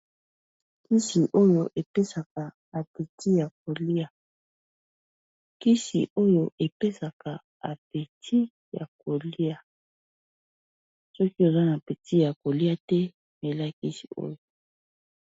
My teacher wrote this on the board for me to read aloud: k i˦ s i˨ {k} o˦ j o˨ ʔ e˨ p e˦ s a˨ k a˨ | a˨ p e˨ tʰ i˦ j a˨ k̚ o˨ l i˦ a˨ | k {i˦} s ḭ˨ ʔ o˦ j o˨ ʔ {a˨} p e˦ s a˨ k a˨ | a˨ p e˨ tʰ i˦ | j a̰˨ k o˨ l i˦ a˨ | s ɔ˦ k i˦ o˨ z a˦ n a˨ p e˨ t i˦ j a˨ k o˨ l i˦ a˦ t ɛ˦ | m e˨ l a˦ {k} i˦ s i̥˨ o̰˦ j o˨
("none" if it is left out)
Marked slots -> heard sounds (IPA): ʔ, i˦, e˨, k

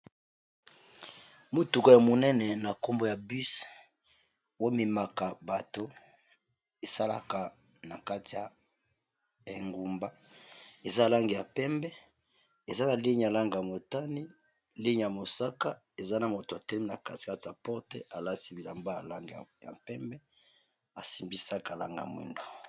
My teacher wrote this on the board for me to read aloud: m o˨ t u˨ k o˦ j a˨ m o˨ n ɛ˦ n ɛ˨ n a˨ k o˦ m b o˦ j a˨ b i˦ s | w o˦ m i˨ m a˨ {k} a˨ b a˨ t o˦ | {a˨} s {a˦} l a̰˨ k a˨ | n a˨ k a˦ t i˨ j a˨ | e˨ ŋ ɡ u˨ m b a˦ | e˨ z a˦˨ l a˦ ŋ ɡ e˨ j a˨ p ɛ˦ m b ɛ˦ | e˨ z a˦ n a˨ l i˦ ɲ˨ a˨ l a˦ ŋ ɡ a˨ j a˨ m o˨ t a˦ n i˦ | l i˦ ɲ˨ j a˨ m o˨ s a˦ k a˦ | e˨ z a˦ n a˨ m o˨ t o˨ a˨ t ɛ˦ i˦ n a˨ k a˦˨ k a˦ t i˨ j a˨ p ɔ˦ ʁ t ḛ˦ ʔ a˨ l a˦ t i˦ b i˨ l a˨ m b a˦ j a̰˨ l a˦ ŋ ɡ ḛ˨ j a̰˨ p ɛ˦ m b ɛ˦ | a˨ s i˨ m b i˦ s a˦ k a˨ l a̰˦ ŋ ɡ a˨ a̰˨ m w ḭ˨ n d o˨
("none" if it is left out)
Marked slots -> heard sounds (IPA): k, e˨, a˦

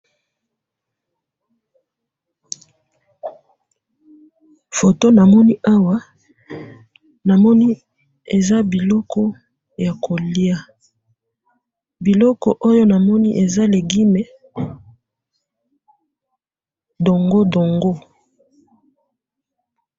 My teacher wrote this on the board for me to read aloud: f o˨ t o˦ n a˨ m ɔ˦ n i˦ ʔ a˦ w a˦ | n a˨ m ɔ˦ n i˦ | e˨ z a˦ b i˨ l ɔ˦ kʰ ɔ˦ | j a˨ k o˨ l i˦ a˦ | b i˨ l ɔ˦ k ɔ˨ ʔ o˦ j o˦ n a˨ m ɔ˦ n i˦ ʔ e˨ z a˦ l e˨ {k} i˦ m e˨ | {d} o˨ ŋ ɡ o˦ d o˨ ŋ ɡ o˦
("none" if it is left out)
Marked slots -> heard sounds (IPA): ɡ, d

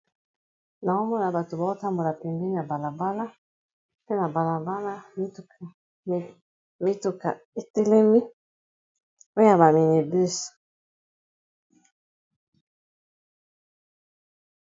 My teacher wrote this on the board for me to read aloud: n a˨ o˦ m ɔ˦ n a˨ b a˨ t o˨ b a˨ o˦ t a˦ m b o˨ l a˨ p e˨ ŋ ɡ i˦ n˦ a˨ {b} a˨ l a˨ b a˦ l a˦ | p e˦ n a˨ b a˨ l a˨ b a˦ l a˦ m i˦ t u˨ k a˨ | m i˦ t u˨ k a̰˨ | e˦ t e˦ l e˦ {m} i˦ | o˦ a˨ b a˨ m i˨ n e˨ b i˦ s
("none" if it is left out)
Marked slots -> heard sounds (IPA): b, m

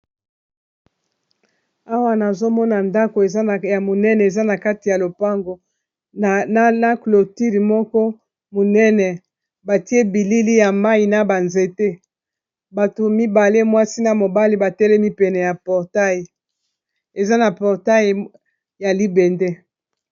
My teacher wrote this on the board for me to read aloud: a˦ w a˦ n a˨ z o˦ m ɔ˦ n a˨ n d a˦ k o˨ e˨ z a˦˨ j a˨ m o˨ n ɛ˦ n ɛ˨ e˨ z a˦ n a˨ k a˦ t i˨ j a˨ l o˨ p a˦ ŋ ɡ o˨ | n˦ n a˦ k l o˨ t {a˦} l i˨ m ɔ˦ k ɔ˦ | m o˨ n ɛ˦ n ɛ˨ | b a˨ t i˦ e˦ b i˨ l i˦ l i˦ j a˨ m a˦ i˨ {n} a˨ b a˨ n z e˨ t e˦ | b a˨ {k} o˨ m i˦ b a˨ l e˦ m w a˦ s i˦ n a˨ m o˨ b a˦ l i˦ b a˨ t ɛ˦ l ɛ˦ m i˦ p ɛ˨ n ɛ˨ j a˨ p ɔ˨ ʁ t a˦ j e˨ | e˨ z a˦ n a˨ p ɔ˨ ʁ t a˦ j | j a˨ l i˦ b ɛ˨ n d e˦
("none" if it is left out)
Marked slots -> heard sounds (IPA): i˦, n, t

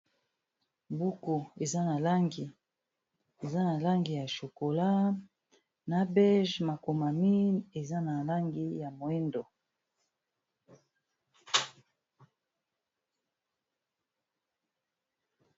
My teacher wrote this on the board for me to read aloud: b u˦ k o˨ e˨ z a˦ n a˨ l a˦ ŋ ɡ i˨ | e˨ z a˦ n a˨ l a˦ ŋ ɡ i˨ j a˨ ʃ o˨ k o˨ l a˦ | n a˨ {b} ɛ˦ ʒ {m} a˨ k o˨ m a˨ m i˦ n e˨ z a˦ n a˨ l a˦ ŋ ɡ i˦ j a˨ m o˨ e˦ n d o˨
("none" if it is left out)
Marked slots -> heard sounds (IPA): b, m

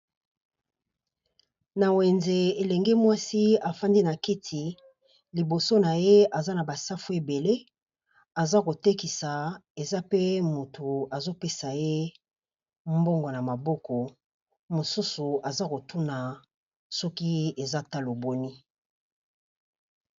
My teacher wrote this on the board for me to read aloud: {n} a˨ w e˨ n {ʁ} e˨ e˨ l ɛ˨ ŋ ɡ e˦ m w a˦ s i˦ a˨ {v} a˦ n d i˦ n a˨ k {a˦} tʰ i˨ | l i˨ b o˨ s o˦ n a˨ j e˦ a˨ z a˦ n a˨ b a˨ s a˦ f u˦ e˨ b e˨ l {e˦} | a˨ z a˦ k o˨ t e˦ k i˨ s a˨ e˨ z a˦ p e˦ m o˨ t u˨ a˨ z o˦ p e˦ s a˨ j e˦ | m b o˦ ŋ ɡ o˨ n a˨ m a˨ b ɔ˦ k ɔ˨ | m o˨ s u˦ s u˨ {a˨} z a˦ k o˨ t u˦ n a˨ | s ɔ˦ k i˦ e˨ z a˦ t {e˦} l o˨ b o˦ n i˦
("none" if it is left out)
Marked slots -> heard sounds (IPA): n, z, f, i˦, e˦, a˨, a˦

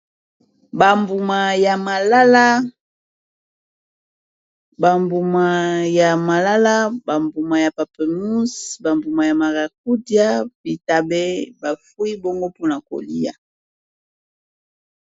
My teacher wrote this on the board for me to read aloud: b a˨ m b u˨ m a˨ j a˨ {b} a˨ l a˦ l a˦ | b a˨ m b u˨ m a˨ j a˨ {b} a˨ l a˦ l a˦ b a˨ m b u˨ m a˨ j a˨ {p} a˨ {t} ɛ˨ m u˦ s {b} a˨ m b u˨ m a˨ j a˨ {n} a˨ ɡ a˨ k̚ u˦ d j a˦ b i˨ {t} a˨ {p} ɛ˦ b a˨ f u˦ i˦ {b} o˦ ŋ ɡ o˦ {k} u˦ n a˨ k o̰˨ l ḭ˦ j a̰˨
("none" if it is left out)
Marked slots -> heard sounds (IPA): m, m, p, p, b, m, t, b, b, p

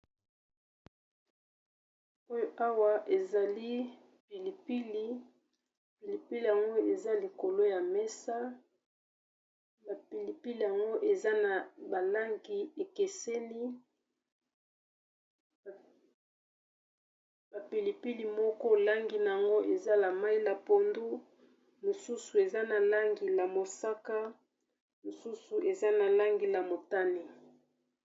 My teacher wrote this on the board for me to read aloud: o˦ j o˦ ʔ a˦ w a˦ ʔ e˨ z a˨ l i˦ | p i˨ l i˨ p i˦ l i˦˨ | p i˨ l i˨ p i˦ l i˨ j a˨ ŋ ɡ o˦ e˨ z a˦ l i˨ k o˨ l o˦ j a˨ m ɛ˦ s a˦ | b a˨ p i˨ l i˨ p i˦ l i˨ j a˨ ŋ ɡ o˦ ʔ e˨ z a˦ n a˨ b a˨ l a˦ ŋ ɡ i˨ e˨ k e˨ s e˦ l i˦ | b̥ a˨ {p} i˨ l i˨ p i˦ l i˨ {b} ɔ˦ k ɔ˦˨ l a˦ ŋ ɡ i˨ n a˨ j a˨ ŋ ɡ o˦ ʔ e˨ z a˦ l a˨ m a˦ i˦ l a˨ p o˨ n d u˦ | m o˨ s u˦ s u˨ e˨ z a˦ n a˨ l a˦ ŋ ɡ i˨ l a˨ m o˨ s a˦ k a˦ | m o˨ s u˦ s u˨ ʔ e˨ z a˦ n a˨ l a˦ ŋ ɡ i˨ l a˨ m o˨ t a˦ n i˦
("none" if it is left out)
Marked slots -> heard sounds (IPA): p, m

